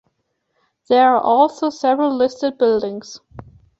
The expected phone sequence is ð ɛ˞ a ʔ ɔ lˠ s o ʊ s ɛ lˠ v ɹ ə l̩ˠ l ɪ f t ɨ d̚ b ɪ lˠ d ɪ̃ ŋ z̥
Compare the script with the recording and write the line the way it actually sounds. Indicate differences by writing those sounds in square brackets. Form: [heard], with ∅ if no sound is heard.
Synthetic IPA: ð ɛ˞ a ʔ ɔ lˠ s o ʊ s ɛ [∅] v ɹ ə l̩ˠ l ɪ [s] t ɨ d̚ b ɪ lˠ d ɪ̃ ŋ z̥